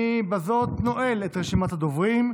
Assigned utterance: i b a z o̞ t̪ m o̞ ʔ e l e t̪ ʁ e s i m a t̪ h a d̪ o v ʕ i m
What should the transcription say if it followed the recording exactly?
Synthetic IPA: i b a z o̞ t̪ n o̞ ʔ e l e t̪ ʁ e ʃ i m a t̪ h a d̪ o v ʁ i m